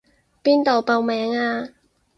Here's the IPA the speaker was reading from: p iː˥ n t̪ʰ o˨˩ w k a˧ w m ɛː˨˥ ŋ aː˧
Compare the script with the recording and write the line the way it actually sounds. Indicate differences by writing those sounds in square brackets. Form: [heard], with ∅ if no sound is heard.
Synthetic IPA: p iː˥ n [t̪] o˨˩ w [p] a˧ w m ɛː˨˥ ŋ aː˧